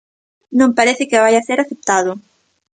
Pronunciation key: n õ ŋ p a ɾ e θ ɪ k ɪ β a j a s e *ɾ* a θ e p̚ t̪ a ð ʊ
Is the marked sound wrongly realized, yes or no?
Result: no